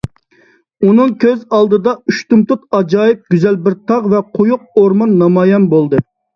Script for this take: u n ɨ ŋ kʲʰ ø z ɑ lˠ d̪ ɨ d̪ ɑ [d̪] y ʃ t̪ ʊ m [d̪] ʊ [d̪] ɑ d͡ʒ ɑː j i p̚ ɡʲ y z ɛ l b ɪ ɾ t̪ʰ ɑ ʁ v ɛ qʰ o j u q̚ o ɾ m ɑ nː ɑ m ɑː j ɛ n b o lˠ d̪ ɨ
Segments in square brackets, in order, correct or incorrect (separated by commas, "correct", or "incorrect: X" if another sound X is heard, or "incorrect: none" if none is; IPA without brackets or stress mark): incorrect: none, incorrect: t̪, incorrect: t̪